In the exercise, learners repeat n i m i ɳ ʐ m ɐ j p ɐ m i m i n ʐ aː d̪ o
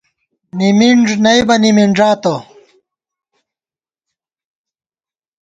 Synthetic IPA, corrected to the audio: n i m i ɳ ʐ n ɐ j b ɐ n i m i ɳ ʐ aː t̪ o